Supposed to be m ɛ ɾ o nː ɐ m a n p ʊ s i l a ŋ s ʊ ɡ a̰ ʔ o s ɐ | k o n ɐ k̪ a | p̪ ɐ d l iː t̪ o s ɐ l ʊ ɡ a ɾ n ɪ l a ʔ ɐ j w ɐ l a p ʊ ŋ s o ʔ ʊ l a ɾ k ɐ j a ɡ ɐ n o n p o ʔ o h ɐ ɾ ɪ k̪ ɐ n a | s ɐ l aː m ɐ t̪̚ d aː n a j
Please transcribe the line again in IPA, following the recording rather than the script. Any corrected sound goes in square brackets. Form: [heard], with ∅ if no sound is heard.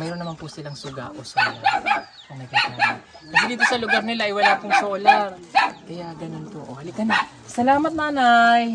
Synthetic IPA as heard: m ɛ ɾ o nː ɐ m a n p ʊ s [ɪ] l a ŋ s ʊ ɡ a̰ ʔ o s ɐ | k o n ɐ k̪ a | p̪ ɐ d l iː t̪ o s ɐ l ʊ ɡ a ɾ n ɪ l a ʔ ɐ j w ɐ l a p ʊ ŋ s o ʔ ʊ l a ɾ k ɐ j a ɡ ɐ n o n p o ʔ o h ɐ [l] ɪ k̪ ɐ n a | s ɐ l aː m ɐ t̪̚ [n] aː n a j

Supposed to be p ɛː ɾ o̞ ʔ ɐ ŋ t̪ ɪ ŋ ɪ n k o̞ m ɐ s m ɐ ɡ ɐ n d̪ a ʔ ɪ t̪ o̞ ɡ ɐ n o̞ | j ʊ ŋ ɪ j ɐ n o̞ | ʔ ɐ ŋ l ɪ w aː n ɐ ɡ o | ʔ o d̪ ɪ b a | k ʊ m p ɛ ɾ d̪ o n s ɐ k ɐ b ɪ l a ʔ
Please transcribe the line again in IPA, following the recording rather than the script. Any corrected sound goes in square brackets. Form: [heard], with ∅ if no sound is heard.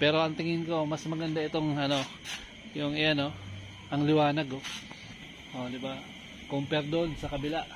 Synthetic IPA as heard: p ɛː ɾ o̞ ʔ ɐ ŋ t̪ ɪ ŋ ɪ n k o̞ m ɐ s m ɐ ɡ ɐ n d̪ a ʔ ɪ t̪ o̞ [ŋ] ɐ n o̞ | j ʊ ŋ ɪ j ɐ n o̞ | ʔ ɐ ŋ l ɪ w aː n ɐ ɡ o | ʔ o d̪ ɪ b a | k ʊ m p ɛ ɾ d̪ o n s ɐ k ɐ b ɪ l a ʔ

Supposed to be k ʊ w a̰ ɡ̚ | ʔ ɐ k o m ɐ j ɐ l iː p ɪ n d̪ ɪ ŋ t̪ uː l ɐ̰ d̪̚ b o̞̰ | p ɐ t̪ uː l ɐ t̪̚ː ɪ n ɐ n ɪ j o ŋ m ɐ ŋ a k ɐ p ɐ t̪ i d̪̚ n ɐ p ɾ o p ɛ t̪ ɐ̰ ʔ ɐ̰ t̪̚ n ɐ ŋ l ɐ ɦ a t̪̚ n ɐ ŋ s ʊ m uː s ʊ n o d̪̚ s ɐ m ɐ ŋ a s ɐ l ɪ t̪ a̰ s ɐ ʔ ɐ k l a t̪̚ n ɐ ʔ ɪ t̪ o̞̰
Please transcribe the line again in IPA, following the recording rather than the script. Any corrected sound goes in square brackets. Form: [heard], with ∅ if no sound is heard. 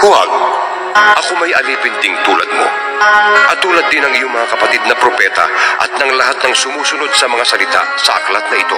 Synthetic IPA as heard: k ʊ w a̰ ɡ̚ | ʔ ɐ k o m ɐ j ɐ l iː p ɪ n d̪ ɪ ŋ t̪ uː l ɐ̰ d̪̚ [m] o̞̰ | [ʔ] ɐ t̪ uː l ɐ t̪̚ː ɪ n ɐ [ŋ] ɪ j o ŋ m ɐ ŋ a k ɐ p ɐ t̪ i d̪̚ n ɐ p ɾ o p ɛ t̪ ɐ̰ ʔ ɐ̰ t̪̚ n ɐ ŋ l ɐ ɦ a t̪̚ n ɐ ŋ s ʊ m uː s ʊ n o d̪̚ s ɐ m ɐ ŋ a s ɐ l ɪ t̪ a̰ s ɐ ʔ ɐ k l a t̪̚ n ɐ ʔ ɪ t̪ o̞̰

